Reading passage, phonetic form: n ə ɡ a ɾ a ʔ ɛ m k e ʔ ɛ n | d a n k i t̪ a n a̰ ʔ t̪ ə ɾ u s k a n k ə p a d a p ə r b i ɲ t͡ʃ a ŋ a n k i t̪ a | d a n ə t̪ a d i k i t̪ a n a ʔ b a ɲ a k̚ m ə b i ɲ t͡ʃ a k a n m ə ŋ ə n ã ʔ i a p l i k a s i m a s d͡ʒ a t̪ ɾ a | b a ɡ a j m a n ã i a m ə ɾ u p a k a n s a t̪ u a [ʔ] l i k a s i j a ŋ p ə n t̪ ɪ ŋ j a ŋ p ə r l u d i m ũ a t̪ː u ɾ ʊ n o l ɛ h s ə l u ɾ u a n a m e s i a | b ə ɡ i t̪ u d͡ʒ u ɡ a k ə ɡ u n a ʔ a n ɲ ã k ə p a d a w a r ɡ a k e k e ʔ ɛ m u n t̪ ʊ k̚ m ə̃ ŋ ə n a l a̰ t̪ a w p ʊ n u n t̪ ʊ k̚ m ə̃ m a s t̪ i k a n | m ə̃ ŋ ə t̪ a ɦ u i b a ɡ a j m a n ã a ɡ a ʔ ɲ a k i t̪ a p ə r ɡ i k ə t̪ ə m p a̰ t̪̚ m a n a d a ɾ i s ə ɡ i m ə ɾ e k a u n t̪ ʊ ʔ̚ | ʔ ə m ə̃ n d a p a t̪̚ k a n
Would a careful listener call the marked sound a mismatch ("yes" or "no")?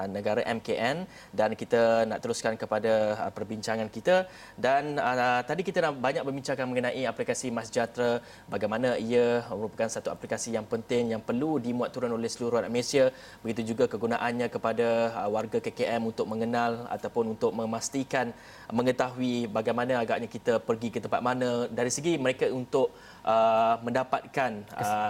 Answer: yes